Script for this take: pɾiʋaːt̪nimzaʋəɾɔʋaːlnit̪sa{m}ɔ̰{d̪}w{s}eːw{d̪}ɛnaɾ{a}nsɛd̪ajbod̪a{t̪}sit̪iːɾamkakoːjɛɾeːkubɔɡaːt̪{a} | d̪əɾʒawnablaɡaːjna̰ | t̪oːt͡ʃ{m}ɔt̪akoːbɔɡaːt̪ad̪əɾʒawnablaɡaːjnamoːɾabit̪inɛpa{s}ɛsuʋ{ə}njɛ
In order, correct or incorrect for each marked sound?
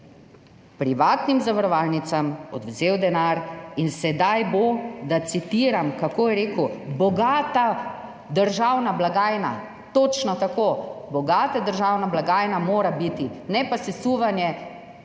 correct, correct, incorrect, correct, incorrect, correct, correct, incorrect, correct, incorrect

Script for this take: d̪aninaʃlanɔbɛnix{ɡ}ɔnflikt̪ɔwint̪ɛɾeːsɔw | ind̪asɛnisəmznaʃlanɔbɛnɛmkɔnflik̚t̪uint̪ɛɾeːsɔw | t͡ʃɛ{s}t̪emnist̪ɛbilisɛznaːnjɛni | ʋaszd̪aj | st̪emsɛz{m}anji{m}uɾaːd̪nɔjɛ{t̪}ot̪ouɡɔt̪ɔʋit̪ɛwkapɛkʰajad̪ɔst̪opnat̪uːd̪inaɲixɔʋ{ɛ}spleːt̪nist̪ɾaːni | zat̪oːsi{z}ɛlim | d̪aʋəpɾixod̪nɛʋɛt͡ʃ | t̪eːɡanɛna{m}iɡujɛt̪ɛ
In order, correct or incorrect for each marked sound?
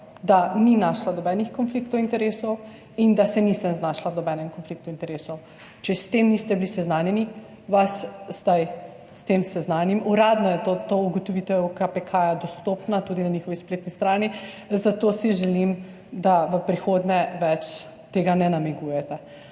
incorrect, correct, incorrect, correct, correct, incorrect, incorrect, correct

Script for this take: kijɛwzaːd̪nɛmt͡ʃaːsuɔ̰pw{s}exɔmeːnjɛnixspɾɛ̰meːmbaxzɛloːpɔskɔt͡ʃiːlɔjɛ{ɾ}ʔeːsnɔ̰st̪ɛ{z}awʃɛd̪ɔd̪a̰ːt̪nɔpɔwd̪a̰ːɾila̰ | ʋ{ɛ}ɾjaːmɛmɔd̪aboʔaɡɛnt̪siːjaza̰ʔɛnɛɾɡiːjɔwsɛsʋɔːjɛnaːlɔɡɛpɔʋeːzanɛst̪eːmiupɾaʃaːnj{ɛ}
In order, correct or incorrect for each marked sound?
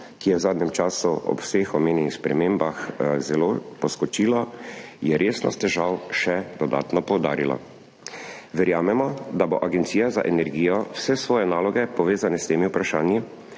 correct, correct, incorrect, correct, incorrect

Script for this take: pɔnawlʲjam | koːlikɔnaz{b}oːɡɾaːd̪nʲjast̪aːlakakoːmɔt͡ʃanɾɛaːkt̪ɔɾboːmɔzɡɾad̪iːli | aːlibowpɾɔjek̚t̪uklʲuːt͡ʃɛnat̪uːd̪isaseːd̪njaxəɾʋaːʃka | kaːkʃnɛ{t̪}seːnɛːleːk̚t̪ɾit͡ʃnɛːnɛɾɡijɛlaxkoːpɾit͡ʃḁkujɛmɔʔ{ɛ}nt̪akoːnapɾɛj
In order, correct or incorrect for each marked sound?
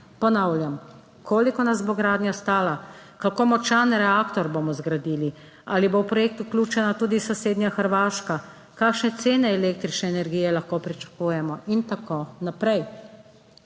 correct, correct, incorrect

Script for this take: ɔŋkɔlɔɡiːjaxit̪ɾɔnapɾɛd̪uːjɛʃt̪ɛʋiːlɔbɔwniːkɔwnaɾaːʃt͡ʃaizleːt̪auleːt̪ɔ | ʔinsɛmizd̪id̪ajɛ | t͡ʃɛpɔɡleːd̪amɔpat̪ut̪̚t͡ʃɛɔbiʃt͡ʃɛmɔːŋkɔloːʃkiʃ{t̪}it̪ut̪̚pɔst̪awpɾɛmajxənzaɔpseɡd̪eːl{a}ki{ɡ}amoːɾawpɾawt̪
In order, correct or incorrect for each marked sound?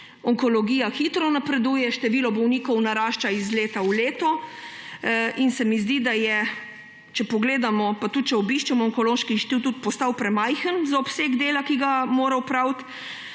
correct, correct, correct

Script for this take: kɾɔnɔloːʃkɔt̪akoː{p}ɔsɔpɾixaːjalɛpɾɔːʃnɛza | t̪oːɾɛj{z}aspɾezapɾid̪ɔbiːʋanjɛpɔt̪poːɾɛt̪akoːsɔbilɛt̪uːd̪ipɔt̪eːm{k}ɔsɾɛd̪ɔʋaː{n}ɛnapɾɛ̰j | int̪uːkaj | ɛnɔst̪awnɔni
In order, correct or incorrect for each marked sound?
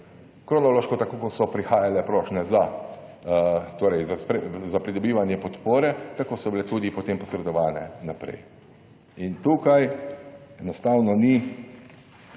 incorrect, correct, incorrect, correct

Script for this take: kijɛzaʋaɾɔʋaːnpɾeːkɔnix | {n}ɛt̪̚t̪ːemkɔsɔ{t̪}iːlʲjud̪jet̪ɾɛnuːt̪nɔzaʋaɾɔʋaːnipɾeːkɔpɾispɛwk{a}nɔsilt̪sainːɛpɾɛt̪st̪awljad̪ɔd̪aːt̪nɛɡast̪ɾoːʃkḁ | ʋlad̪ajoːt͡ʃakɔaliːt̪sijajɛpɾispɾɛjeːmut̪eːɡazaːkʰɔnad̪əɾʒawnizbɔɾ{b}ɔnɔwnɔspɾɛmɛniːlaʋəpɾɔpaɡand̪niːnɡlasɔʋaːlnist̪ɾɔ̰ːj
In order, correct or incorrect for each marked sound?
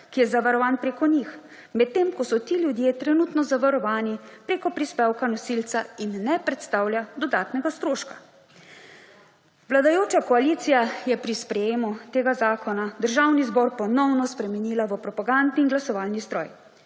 incorrect, correct, correct, incorrect

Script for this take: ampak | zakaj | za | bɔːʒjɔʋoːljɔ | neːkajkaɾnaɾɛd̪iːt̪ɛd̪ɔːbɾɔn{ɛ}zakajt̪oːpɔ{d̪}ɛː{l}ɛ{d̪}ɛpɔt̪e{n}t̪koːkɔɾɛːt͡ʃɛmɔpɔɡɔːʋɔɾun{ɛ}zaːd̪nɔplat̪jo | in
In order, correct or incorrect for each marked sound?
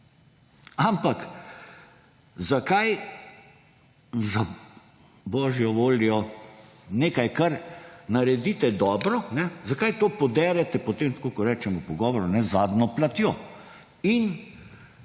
correct, correct, incorrect, incorrect, incorrect, correct

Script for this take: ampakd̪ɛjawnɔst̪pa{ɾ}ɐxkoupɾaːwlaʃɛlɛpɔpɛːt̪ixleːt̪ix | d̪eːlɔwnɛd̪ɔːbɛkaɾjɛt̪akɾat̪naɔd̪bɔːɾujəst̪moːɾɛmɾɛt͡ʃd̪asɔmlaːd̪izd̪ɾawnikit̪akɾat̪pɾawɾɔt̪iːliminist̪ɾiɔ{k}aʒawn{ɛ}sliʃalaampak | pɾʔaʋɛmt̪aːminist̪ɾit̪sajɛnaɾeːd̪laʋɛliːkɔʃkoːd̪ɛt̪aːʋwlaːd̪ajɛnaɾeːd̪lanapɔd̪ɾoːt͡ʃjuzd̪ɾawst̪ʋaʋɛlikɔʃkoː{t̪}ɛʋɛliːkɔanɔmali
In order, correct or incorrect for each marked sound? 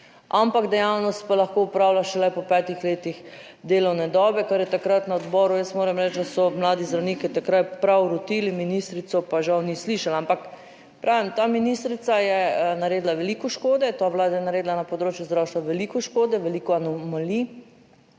incorrect, incorrect, incorrect, incorrect

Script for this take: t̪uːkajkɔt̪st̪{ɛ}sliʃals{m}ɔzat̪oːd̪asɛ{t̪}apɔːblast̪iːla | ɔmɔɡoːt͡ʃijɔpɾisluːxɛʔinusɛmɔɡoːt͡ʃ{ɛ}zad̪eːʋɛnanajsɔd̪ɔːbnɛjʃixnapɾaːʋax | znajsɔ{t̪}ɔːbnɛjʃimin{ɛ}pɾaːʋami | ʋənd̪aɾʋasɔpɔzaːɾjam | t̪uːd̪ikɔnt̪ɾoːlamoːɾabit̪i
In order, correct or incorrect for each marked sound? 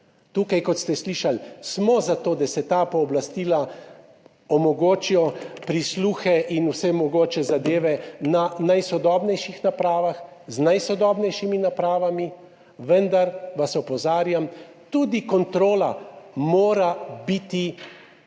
correct, correct, correct, correct, incorrect, incorrect

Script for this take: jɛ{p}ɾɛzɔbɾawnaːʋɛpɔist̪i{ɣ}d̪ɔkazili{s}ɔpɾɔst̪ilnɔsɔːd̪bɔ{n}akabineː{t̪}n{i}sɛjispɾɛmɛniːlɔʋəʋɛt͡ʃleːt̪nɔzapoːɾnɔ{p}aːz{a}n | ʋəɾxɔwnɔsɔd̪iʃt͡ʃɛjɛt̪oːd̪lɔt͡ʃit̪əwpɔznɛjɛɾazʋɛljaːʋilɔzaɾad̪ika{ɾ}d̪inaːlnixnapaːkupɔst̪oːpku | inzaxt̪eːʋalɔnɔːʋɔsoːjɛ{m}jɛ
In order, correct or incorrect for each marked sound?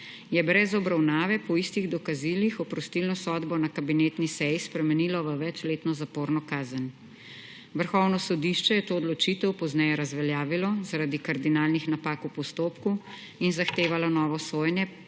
incorrect, correct, incorrect, correct, correct, correct, incorrect, incorrect, correct, incorrect

